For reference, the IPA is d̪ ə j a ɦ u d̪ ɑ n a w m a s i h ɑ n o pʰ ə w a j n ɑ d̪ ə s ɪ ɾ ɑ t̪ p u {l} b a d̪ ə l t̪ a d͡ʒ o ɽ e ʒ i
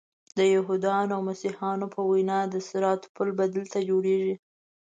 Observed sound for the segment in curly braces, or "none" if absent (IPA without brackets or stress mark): l